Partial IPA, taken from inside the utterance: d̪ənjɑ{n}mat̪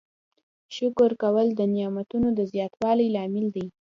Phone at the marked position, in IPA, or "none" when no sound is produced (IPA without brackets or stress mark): none